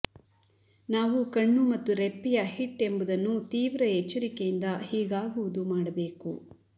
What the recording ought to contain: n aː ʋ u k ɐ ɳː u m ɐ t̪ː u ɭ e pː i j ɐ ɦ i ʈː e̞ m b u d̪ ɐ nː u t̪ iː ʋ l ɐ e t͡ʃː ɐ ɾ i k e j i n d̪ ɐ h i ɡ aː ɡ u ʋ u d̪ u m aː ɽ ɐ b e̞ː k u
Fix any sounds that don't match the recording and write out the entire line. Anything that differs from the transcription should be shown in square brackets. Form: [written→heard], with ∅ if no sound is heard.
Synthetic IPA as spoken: n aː ʋ u k ɐ ɳː u m ɐ t̪ː u [ɭ→ɾ] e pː i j ɐ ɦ i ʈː e̞ m b u d̪ ɐ nː u t̪ iː ʋ [l→ɾ] ɐ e t͡ʃː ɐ ɾ i k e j i n d̪ ɐ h [i→iː] ɡ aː ɡ u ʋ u d̪ u m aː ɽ ɐ b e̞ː k u